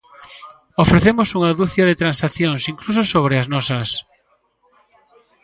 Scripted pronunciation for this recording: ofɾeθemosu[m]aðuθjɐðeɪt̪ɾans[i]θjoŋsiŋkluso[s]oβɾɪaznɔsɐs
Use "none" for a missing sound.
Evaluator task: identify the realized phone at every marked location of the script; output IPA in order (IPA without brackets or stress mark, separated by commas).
ŋ, a, s